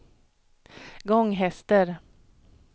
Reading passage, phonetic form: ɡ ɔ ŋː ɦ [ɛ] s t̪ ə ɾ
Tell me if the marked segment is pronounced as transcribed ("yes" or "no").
yes